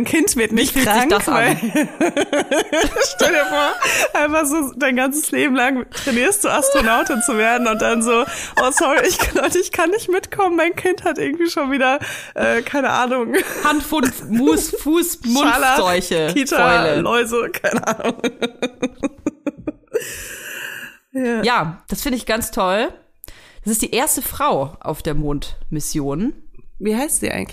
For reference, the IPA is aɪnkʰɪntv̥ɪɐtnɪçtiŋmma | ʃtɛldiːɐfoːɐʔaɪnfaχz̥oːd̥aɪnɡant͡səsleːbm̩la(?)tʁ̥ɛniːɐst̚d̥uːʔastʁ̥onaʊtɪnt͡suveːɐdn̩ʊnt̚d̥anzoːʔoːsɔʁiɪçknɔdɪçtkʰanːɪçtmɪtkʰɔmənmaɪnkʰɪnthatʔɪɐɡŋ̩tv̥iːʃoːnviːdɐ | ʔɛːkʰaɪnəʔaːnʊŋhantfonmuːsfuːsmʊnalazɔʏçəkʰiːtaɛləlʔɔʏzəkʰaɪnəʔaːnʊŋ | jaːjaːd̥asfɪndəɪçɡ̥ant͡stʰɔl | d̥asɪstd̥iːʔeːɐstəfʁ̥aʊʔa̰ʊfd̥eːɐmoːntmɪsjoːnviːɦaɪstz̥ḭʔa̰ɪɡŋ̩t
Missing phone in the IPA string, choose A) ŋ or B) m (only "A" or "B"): A